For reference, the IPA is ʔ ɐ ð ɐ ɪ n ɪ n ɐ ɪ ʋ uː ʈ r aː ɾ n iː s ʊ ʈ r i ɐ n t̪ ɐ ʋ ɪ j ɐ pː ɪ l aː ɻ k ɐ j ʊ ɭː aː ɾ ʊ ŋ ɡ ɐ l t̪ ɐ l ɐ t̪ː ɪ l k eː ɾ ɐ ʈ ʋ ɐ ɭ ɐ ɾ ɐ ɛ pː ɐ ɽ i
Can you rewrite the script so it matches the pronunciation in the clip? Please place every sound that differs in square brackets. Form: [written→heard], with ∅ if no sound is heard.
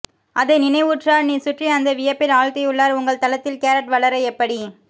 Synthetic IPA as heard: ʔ ɐ ð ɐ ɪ n ɪ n ɐ ɪ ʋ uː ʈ r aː ɾ n iː s ʊ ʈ r i ɐ n [t̪→d̪] ɐ ʋ ɪ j ɐ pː ɪ l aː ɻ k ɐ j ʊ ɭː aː ɾ ʊ ŋ ɡ ɐ [l→ɭ] t̪ ɐ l ɐ t̪ː ɪ l k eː ɾ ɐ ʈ ʋ ɐ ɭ ɐ ɾ ɐ ɛ pː ɐ ɽ i